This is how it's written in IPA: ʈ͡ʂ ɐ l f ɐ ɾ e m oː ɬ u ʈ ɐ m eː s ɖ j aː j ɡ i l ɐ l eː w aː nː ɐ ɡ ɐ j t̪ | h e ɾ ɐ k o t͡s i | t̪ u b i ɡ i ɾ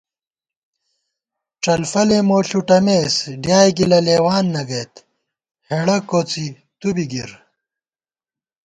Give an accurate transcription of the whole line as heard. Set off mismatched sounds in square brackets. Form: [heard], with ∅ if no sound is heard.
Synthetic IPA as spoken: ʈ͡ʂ ɐ l f ɐ [l] e m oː ɬ u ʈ ɐ m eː s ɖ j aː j ɡ i l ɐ l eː w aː nː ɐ ɡ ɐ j t̪ | h e [ɽ] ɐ k o t͡s i | t̪ u b i ɡ i ɾ

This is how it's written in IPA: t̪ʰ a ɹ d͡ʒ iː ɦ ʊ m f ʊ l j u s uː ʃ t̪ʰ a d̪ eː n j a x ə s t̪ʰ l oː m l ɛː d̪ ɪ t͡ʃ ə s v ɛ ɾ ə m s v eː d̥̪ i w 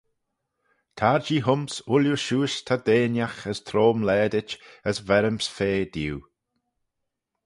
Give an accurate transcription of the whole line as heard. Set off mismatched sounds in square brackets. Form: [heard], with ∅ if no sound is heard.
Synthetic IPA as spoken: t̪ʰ a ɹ d͡ʒ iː ɦ ʊ m [s] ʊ l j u [ʃ] uː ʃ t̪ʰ a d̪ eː n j a x ə s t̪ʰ [ɾ] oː m l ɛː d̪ ɪ t͡ʃ ə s v ɛ ɾ ə m s [f] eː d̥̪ i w

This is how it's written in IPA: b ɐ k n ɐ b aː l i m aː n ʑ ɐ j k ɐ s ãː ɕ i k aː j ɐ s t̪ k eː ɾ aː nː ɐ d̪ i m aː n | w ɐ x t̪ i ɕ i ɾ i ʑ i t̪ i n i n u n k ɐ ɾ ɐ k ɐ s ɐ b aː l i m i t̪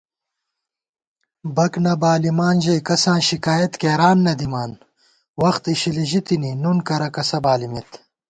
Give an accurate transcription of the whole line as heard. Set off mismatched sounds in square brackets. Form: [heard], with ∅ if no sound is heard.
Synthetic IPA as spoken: b ɐ k n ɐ b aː l i m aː n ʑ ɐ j k ɐ s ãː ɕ i k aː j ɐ [∅] t̪ k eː ɾ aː nː ɐ d̪ i m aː n | w ɐ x t̪ i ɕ i [l] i ʑ i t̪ i n i n u n k ɐ ɾ ɐ k ɐ s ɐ b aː l i m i t̪

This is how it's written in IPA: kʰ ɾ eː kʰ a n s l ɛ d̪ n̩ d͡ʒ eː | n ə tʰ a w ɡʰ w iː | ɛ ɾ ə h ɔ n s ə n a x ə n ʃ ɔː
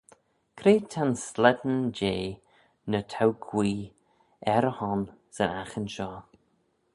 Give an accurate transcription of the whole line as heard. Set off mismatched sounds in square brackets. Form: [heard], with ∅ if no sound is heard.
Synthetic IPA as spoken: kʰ ɾ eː [tʰ] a n s l ɛ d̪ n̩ d͡ʒ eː | n ə tʰ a w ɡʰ w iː | ɛ ɾ ə h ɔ n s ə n a x ə n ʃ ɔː

